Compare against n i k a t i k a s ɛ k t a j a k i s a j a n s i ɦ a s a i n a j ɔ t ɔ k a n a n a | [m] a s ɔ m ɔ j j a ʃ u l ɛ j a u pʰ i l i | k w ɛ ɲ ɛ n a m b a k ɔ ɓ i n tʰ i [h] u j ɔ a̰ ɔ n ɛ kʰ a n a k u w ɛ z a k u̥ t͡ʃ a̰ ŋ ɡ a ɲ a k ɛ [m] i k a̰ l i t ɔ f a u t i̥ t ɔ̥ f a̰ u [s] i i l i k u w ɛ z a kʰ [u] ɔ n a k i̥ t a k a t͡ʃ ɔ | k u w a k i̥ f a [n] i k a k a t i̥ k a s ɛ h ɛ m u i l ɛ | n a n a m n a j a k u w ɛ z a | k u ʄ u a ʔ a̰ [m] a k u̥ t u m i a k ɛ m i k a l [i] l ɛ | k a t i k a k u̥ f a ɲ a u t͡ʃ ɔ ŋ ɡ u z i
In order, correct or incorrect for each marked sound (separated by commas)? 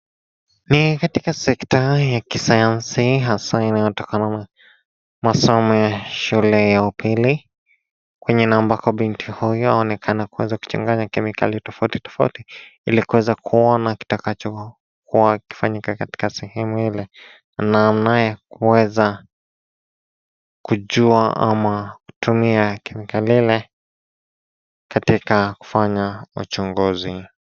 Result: correct, correct, correct, incorrect, correct, incorrect, correct, correct